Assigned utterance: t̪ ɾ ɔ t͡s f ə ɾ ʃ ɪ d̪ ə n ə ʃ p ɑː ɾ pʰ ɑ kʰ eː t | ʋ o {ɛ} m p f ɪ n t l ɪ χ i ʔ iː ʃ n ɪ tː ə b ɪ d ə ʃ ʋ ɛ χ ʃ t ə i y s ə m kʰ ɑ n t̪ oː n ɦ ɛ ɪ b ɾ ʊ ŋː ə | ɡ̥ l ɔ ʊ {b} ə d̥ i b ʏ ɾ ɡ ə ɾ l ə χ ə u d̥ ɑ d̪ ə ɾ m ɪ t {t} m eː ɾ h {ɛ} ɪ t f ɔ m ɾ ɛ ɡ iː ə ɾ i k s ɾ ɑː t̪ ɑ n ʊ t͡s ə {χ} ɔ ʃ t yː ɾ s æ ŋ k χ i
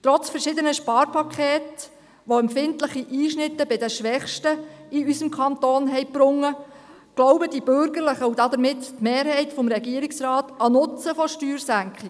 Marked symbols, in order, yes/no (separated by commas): yes, yes, yes, yes, no